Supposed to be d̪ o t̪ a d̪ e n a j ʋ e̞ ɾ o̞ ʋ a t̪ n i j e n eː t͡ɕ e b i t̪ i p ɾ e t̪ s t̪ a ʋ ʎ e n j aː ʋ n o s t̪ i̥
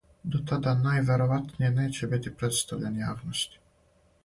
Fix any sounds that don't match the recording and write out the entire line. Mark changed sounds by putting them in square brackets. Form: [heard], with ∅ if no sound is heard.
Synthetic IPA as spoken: d̪ o t̪ a d̪ [a] n a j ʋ e̞ ɾ o̞ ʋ a t̪ n i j e n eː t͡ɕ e b i t̪ i p ɾ e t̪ s t̪ a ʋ ʎ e n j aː ʋ n o s t̪ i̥